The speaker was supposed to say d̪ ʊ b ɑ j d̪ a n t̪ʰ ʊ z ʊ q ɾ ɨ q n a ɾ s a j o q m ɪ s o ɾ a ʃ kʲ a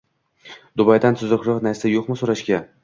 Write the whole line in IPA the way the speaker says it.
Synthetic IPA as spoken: d̪ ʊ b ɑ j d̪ a n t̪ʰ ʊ z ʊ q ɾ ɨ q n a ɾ s a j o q m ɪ s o ɾ a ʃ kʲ a